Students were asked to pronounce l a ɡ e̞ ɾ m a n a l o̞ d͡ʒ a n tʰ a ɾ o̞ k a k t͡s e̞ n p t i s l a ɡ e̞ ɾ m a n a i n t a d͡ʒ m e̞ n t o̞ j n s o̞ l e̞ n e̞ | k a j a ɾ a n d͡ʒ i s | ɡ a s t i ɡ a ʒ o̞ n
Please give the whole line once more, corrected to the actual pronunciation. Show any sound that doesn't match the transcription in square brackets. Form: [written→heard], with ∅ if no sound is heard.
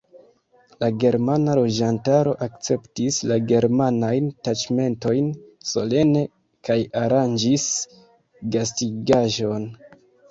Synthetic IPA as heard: l a ɡ e̞ ɾ m a n a l o̞ d͡ʒ a n [tʰ→t] a ɾ o̞ [k→ʔ] a k t͡s e̞ [n→∅] p t i s l a ɡ e̞ ɾ m a n a [i→j] n t a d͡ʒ m e̞ n t o̞ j n s o̞ l e̞ n e̞ | k a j a ɾ a n d͡ʒ i s | ɡ a s t i ɡ a ʒ o̞ n